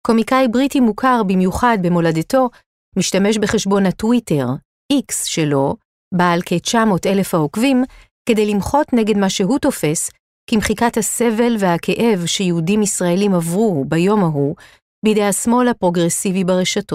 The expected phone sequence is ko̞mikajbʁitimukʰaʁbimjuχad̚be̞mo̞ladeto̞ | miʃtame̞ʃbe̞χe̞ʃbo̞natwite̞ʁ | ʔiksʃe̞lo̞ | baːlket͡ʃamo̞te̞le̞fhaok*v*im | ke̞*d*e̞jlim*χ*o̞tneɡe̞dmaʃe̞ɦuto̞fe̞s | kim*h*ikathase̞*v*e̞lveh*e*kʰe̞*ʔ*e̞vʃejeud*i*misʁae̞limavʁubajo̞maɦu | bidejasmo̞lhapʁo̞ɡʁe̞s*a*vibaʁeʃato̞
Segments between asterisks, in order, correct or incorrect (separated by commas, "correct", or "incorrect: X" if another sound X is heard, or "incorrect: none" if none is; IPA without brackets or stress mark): correct, correct, correct, incorrect: χ, correct, incorrect: a, correct, correct, incorrect: i